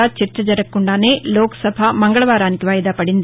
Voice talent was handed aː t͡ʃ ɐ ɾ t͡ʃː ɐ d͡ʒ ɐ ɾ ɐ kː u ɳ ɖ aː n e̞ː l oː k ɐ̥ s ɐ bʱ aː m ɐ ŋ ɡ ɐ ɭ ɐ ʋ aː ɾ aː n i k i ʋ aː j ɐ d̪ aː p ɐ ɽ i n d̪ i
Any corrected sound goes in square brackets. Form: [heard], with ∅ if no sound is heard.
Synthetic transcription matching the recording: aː t͡ʃ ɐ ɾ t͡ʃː ɐ d͡ʒ ɐ ɾ ɐ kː u ɳ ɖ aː n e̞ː l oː k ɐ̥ s ɐ bʱ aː m ɐ ŋ ɡ ɐ ɭ ɐ ʋ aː ɾ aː n i k i ʋ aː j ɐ d̪ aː p ɐ ɽ i n d̪ i

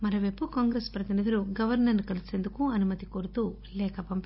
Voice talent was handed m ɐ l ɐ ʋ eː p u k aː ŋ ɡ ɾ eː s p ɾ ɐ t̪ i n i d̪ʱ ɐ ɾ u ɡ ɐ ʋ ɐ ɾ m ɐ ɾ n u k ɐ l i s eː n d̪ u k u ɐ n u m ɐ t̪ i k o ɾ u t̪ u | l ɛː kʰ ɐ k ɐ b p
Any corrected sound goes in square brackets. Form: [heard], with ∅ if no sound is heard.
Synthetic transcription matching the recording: m ɐ [ɾ] ɐ ʋ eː p u k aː ŋ ɡ ɾ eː s p ɾ ɐ t̪ i n i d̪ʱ ɐ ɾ u ɡ ɐ ʋ ɐ ɾ [n] ɐ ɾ n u k ɐ l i s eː n d̪ u k u ɐ n u m ɐ t̪ i k o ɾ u t̪ u | l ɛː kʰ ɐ [p] ɐ [m] p

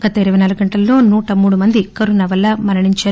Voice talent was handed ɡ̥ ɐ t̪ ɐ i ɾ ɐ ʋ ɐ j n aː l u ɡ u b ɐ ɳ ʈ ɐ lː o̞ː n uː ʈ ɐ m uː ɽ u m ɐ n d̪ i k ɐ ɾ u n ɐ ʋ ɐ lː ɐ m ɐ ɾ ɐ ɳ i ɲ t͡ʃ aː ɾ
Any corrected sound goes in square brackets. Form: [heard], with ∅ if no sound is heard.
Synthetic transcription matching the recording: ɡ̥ ɐ t̪ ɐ i ɾ ɐ ʋ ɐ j n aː l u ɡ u [ɡ] ɐ ɳ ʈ ɐ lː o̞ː n uː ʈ ɐ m uː ɽ u m ɐ n d̪ i k ɐ ɾ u n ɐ ʋ ɐ lː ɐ m ɐ ɾ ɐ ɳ i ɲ t͡ʃ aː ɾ

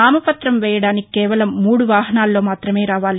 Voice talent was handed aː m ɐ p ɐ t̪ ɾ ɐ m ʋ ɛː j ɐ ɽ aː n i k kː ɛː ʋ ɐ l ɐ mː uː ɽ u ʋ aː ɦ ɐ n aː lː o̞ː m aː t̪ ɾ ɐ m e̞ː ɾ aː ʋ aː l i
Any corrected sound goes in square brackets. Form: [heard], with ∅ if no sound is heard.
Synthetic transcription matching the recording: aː m ɐ p ɐ t̪ ɾ ɐ m ʋ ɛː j ɐ ɽ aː n i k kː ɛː ʋ ɐ l ɐ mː uː ɽ u ʋ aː ɦ ɐ n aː lː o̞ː m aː t̪ ɾ ɐ m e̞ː ɾ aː ʋ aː l i

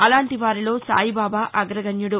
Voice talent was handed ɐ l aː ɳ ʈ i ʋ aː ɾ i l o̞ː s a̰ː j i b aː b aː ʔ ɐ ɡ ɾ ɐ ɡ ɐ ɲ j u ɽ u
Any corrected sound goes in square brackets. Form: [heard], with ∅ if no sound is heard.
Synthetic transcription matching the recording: ɐ l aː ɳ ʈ i ʋ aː ɾ i l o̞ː s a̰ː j i b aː b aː ʔ ɐ ɡ ɾ ɐ ɡ ɐ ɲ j u ɽ u

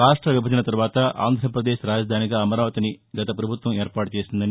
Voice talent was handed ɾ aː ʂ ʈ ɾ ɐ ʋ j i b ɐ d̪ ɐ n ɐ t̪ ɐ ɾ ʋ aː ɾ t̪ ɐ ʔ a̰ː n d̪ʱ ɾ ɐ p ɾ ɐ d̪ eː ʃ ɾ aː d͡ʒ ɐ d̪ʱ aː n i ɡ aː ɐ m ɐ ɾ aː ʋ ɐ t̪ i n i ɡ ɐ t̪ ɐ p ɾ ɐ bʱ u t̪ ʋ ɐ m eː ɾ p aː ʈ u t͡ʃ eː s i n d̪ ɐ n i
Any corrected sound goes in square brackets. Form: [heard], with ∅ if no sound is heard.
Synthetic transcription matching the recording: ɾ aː ʂ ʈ ɾ ɐ ʋ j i b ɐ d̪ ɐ n ɐ t̪ ɐ ɾ ʋ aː [∅] t̪ ɐ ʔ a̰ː n d̪ʱ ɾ ɐ p ɾ ɐ d̪ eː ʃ ɾ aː d͡ʒ ɐ d̪ʱ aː n i ɡ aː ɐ m ɐ ɾ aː ʋ ɐ t̪ i n i ɡ ɐ t̪ ɐ p ɾ ɐ bʱ u t̪ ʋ ɐ m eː ɾ p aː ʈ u t͡ʃ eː s i n d̪ ɐ n i

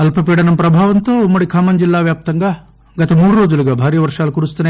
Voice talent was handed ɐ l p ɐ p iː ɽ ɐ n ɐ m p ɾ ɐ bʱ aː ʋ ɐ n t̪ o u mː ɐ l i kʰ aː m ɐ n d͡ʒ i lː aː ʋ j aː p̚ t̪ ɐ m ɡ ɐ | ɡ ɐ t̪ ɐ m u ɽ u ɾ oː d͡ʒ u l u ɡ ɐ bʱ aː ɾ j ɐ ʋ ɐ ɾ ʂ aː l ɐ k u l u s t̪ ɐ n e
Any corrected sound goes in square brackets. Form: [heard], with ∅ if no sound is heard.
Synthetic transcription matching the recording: ɐ l p ɐ p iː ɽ ɐ n ɐ m p ɾ ɐ bʱ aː ʋ ɐ n t̪ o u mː ɐ [ɽ] i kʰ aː m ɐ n d͡ʒ i lː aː ʋ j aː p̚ t̪ ɐ [ŋ] ɡ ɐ | ɡ ɐ t̪ ɐ m [uː] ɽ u ɾ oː d͡ʒ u l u ɡ ɐ bʱ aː ɾ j ɐ ʋ ɐ ɾ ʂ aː l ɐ k u [ɾ] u s t̪ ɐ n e

